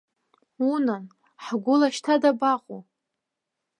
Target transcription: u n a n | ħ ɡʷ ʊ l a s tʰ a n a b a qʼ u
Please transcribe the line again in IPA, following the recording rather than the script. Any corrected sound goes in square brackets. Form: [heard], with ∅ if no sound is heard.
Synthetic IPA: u n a n | ħ ɡʷ ʊ l a [ʃ] tʰ a [d] a b a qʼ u